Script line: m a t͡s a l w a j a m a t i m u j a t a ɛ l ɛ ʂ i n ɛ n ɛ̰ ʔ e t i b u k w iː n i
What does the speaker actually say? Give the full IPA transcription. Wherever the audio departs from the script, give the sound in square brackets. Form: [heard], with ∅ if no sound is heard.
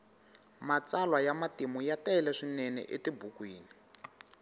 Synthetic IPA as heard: m a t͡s a l w a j a m a t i m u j a t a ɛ l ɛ ʂ i n ɛ n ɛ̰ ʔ e t i b u k w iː n i